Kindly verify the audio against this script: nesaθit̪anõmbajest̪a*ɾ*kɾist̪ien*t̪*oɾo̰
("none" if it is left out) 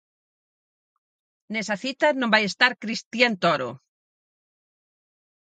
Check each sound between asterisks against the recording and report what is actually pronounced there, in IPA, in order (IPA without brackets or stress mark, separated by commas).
ɾ, t̪